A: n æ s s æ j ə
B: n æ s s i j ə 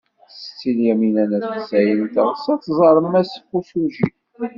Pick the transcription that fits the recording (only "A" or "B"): A